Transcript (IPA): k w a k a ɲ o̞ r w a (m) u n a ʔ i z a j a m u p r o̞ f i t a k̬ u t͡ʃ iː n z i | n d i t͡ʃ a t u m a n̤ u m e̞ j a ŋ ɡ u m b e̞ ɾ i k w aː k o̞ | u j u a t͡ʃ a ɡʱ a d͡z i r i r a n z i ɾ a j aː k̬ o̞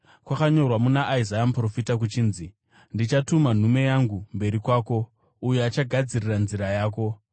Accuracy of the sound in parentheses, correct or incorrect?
correct